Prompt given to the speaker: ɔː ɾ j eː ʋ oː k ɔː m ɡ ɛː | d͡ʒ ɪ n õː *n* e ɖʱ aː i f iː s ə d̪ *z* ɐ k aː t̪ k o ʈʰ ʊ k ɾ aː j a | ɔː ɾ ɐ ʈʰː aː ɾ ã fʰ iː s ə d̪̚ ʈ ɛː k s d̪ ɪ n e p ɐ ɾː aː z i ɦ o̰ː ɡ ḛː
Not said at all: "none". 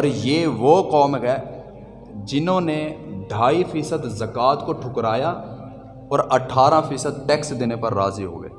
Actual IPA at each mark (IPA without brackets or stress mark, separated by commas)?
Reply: n, z